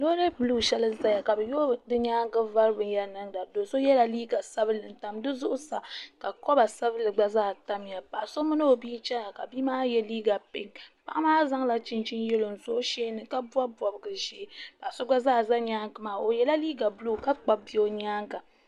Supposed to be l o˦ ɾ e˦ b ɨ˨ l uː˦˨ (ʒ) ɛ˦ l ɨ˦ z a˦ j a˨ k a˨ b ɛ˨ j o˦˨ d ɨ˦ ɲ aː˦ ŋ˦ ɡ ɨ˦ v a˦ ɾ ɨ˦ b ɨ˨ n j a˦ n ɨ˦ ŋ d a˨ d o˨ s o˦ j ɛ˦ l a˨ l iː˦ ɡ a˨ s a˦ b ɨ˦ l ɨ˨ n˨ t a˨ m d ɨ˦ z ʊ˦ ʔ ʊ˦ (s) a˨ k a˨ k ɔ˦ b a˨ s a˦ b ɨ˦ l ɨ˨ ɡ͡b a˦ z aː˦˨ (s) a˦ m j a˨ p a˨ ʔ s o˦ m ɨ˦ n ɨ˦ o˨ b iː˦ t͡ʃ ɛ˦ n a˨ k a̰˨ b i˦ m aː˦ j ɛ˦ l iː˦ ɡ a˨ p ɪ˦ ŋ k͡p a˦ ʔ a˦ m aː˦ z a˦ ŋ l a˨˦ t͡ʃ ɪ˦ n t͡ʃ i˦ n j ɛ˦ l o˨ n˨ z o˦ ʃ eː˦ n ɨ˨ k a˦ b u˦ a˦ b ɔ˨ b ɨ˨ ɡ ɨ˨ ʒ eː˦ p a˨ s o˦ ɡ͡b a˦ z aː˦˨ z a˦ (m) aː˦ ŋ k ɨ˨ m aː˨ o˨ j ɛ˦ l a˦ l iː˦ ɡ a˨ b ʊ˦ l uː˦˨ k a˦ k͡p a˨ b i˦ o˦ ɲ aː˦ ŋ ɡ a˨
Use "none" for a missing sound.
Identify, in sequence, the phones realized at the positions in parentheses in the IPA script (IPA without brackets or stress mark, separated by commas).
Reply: ʃ, s, t, ɲ